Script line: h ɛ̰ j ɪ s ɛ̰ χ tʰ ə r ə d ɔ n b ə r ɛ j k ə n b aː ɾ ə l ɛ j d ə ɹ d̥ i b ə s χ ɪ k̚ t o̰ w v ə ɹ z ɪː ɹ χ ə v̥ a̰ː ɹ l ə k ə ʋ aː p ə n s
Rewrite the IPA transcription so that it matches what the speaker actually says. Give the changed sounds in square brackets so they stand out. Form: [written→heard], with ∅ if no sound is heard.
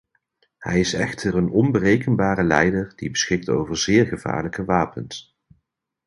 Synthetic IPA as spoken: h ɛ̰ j ɪ s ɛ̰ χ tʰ ə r ə [d→n] ɔ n b ə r [ɛ→e] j k ə n b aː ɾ ə l ɛ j d ə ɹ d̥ i b ə s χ ɪ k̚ t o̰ w v ə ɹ z ɪː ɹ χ ə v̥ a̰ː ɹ l ə k ə ʋ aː p ə n s